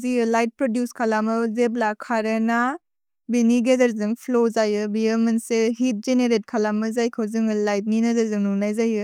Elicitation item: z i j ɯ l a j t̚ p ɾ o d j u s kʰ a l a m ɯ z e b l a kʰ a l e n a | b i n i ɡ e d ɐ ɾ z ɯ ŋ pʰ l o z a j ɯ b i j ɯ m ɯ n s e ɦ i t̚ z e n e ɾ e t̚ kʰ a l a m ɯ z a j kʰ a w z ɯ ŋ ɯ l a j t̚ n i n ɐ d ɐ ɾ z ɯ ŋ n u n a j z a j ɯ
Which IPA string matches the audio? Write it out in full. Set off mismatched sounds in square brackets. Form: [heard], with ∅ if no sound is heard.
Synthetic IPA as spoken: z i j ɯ l a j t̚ p ɾ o d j u s kʰ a l a m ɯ z e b l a kʰ a [ɾ] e n a | b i n i ɡ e d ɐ ɾ z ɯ ŋ pʰ l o z a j ɯ b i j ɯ m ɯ n s e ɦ i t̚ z e n e ɾ e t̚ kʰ a l a m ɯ z a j kʰ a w z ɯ ŋ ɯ l a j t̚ n i n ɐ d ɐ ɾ z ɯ ŋ n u n a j z a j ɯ